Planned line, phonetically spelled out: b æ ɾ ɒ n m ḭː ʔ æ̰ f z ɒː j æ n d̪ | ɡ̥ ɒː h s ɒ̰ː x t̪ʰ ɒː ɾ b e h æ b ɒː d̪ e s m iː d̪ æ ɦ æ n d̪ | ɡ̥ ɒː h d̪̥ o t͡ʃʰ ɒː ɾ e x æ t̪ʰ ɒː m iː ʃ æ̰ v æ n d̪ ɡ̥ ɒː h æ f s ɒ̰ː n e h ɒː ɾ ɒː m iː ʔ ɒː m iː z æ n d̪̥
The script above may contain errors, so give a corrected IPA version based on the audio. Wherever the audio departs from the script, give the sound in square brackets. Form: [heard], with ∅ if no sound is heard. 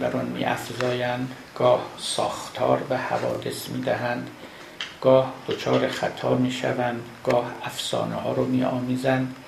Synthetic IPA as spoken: b æ ɾ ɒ n m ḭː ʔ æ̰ f z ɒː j æ n d̪ | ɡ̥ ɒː h s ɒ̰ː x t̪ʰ ɒː ɾ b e h æ [v] ɒː d̪ e s m iː d̪ æ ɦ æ n d̪ | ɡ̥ ɒː h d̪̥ o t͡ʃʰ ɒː ɾ e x æ t̪ʰ ɒː m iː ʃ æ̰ v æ n d̪ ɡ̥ ɒː h æ f s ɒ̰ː n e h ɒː ɾ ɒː m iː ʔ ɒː m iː z æ n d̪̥